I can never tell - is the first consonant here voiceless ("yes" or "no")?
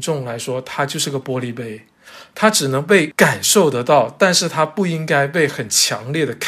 yes